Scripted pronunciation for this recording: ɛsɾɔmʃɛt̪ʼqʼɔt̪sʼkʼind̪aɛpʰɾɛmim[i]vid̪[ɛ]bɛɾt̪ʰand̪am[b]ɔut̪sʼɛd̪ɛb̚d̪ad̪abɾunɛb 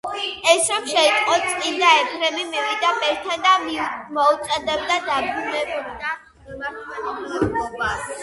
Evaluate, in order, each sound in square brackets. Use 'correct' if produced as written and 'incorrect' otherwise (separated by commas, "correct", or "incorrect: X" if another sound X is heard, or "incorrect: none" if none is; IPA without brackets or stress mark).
correct, incorrect: a, incorrect: m